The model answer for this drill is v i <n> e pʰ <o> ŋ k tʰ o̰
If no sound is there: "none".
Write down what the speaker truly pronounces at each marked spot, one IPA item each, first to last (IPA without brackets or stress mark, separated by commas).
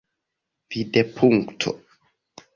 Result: d, u